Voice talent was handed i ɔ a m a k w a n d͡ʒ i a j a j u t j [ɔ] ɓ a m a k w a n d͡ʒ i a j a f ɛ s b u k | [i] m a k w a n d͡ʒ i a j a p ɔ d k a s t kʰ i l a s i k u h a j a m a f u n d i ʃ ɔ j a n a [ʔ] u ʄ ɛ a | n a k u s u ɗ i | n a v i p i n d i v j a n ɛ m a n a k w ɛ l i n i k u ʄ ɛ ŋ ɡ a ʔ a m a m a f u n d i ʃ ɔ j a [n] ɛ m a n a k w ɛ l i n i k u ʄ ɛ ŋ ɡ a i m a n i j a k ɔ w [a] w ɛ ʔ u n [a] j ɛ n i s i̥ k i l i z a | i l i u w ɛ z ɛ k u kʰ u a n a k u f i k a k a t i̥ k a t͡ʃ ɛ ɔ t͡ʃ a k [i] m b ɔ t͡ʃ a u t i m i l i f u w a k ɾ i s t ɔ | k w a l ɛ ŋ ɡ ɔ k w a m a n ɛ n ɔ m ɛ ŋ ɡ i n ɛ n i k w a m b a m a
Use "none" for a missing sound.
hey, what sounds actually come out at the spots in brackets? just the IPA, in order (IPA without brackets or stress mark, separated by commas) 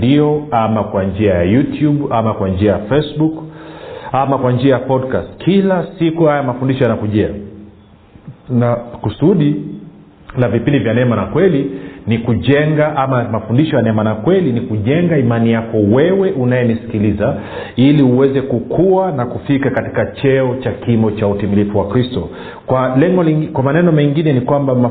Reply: u, a, k, n, ɛ, a, i